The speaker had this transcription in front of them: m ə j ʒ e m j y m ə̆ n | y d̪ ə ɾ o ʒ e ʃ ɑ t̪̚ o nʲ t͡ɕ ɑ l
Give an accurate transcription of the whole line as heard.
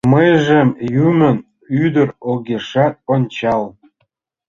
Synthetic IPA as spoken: m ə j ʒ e m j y m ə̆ n | y d̪ ə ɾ o ɣ e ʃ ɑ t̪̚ o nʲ t͡ɕ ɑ l